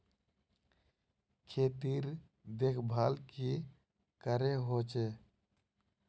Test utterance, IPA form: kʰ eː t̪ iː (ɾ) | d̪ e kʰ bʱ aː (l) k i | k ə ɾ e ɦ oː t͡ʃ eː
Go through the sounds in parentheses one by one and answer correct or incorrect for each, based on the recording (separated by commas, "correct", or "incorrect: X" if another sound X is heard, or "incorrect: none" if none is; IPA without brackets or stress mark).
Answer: correct, correct